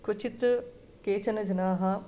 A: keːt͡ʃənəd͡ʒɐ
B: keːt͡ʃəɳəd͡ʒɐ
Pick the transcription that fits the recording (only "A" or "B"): A